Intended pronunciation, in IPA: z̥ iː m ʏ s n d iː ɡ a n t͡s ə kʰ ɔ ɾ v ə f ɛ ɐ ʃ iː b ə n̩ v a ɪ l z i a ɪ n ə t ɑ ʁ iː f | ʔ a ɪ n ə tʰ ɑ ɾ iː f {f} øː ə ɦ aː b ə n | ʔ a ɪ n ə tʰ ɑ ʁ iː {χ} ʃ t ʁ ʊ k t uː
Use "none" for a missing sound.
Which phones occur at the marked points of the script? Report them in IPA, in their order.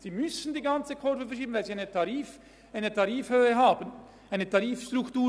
h, f

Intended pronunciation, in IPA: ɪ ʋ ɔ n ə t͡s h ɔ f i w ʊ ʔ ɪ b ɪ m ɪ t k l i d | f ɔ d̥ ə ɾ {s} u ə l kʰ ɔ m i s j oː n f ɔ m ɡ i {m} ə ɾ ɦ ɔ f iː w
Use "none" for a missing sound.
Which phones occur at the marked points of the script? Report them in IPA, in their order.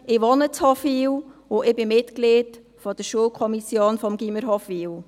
ʃ, m

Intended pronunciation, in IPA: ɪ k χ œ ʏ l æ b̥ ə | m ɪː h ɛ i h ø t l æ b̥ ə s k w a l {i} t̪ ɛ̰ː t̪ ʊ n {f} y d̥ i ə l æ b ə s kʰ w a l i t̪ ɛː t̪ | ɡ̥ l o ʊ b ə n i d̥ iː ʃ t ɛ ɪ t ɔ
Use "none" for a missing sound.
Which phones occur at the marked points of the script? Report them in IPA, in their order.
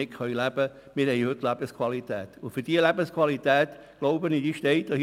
i, f

